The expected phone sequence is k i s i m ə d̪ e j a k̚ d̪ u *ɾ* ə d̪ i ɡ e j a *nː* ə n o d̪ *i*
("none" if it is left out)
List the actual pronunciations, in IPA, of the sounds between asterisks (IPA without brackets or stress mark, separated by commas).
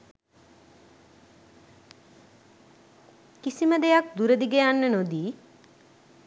ɾ, nː, iː